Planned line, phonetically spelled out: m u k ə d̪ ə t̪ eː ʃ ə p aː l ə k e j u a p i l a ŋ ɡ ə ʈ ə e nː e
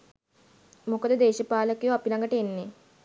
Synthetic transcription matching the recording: m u k ə d̪ ə d̪ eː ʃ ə p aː l ə k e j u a p i l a ŋ ɡ ə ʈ ə e nː e